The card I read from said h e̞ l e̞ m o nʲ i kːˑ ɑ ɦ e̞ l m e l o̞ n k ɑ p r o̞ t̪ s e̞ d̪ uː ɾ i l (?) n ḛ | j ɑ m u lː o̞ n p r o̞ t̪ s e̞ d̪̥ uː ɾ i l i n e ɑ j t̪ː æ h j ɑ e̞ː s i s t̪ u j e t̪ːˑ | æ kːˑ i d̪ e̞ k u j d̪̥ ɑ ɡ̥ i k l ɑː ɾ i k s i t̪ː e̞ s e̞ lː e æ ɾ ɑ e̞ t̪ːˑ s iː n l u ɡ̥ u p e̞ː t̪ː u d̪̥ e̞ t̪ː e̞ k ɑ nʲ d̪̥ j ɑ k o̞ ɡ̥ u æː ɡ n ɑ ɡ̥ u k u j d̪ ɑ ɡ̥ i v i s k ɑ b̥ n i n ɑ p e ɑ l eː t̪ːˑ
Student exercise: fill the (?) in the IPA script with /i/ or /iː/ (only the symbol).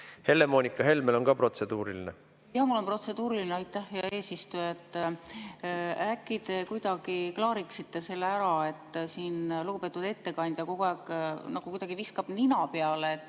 i